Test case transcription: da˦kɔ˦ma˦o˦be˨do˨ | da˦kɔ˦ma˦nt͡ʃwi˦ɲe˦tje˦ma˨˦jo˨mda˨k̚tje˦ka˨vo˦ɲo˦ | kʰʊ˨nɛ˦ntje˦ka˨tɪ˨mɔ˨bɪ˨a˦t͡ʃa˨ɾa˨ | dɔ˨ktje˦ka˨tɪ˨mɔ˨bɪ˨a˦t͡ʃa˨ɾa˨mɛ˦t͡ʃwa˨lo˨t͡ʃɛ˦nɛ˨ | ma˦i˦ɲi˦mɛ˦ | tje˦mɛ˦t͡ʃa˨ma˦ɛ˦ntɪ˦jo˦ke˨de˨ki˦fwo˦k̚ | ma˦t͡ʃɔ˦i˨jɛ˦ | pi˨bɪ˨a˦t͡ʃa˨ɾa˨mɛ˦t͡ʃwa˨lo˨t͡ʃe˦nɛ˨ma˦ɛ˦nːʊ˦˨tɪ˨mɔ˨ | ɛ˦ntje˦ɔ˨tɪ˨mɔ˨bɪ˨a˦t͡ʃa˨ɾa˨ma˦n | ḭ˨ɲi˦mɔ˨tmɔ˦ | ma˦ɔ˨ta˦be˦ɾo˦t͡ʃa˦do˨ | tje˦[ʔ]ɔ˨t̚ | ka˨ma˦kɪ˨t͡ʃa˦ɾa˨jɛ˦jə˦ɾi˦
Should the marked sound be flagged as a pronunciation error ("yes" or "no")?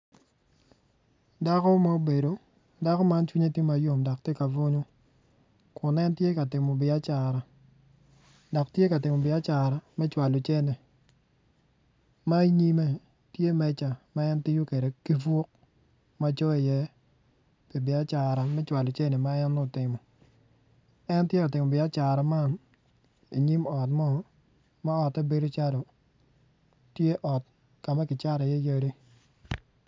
no